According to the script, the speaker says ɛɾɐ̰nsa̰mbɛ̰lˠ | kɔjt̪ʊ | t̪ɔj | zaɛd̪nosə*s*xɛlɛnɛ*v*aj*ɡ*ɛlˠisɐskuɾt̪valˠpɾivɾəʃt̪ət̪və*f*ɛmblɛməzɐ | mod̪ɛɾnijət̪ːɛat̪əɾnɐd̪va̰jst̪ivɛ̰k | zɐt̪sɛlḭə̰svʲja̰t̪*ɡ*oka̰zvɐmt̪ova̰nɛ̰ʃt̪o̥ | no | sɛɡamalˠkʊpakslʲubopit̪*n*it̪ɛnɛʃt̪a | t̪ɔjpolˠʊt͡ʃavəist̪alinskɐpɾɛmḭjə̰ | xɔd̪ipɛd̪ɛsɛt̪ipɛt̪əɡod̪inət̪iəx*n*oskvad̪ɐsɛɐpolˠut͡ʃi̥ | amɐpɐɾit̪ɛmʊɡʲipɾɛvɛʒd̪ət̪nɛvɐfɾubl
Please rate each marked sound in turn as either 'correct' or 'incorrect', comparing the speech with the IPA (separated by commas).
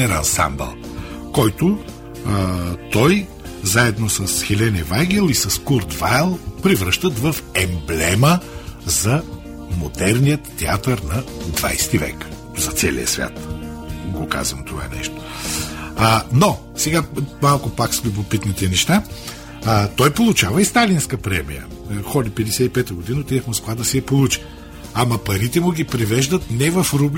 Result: correct, correct, correct, correct, correct, correct, incorrect